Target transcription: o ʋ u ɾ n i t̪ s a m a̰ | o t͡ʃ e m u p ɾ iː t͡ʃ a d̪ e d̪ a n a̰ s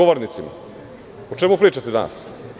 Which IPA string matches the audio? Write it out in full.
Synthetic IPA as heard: o ʋ o ɾ n i t̪ s i m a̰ | o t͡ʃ e m u p ɾ iː t͡ʃ a t̪ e d̪ a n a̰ s